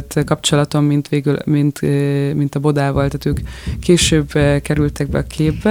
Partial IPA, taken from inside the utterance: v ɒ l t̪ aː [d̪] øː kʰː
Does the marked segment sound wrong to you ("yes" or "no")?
yes